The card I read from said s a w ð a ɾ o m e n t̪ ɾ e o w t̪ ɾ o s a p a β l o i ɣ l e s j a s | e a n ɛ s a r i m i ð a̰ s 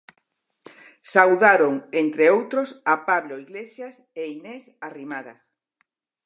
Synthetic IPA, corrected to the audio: s a w ð a ɾ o ŋ e n t̪ ɾ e o w t̪ ɾ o s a p a β l o i ɣ l e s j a s | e i n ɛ s a r i m a ð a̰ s